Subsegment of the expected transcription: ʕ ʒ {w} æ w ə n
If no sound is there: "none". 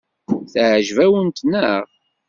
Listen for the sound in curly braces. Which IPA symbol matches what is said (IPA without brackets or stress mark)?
v